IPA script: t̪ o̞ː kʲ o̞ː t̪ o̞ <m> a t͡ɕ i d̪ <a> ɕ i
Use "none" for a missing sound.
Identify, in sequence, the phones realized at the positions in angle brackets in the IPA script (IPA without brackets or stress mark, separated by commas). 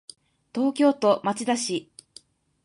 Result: m, a